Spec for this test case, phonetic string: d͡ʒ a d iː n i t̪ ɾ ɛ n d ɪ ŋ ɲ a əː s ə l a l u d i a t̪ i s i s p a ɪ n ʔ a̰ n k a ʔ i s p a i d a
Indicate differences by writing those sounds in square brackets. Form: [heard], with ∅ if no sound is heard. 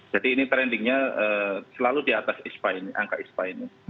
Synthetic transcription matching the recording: d͡ʒ a d iː n i t̪ ɾ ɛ n d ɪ ŋ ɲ a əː s ə l a l u d i a t̪ [a] s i s p a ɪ n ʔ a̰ [ŋ] k a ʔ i s p a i [n] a